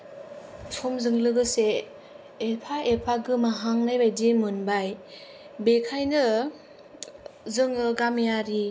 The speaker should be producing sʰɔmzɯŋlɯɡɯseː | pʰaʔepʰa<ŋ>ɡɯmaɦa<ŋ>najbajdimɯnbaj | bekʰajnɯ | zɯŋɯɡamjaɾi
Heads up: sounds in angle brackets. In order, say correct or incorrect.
incorrect, correct

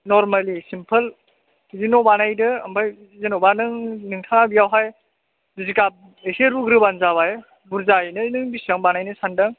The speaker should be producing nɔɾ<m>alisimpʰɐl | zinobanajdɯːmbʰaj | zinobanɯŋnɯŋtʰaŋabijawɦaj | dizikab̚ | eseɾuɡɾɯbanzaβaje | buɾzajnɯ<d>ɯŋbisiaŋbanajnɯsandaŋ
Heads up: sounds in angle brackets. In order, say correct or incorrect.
correct, incorrect

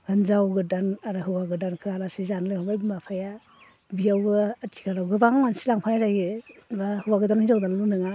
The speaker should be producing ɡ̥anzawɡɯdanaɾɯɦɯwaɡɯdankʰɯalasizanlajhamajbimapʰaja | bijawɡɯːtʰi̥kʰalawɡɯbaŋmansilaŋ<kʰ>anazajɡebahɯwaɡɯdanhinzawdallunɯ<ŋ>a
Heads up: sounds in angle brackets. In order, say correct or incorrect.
incorrect, correct

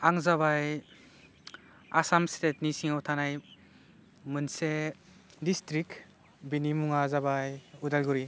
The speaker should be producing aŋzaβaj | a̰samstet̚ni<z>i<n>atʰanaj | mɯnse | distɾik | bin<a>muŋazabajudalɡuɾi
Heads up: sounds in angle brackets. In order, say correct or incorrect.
incorrect, incorrect, incorrect

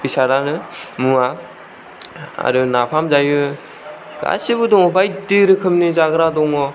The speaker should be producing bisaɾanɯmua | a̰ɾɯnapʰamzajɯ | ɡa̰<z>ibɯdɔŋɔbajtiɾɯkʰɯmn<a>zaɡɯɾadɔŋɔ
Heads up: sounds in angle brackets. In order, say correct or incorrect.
incorrect, incorrect

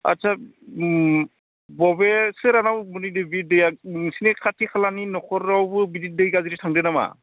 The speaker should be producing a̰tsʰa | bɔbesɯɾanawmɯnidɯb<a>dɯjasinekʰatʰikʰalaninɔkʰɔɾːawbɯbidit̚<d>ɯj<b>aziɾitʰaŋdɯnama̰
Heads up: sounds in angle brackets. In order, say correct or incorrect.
incorrect, correct, incorrect

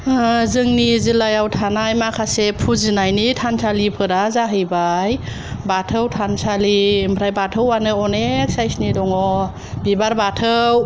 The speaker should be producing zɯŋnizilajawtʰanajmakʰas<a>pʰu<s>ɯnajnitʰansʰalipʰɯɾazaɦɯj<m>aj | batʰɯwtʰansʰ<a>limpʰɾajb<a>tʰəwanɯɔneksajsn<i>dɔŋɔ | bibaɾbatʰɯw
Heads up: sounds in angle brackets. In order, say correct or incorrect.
incorrect, incorrect, incorrect, correct, correct, correct

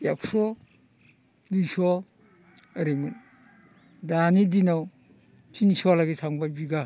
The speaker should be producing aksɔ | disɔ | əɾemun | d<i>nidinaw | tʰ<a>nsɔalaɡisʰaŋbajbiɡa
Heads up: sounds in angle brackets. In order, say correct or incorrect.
incorrect, incorrect

